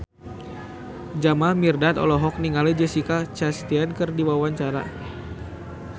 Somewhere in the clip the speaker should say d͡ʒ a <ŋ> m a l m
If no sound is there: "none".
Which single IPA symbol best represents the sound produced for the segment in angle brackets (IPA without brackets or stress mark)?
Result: none